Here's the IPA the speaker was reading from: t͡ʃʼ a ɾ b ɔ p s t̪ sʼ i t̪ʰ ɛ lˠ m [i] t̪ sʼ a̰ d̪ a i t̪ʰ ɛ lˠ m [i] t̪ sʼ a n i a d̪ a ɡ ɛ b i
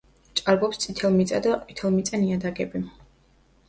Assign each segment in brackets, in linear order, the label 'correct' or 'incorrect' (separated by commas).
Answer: correct, correct